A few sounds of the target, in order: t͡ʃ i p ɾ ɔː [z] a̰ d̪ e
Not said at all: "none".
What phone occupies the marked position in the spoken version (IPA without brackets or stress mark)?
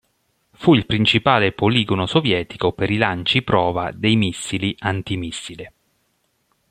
v